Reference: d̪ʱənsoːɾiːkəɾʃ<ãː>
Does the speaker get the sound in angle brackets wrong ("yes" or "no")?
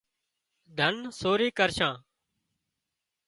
no